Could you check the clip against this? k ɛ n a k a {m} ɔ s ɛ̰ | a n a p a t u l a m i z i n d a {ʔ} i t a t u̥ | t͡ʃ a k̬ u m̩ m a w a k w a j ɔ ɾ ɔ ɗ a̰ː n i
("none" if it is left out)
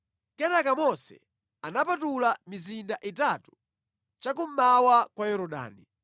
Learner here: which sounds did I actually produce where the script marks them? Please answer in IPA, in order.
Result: m, ʔ

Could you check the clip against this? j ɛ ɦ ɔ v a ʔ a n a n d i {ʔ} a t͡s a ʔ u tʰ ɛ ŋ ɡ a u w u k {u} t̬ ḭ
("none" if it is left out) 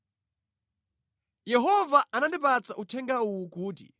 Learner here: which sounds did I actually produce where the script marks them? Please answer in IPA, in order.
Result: p, uː

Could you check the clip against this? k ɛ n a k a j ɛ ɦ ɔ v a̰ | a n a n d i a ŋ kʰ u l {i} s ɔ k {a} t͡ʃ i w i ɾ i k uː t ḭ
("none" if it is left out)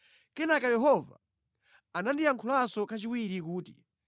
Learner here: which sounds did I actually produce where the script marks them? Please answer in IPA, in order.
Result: a, a

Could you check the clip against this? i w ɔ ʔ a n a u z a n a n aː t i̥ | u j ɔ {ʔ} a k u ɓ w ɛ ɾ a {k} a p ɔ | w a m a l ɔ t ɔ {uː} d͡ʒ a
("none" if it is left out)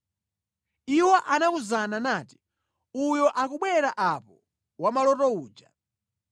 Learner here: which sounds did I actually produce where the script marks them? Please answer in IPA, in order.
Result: ʔ, ʔ, uː

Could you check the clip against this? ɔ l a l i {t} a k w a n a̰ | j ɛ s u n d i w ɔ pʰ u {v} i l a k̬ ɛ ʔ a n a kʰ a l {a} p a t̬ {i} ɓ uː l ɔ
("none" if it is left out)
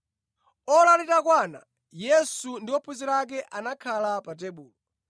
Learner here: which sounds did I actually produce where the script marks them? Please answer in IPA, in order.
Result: t, z, a, ɛ

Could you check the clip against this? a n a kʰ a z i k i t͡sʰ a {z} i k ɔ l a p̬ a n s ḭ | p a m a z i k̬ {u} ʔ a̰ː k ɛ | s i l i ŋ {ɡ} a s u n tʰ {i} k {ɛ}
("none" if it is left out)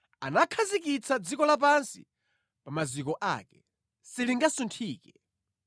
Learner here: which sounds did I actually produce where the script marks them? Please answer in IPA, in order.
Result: d͡z, ɔ, ɡ, iː, ɛ

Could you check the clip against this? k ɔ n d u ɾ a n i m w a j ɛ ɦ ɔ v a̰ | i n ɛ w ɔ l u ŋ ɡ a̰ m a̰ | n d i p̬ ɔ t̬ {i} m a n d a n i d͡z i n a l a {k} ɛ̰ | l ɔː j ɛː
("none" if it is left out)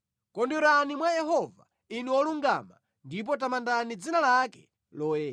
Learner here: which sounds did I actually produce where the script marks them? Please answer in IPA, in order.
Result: a, k

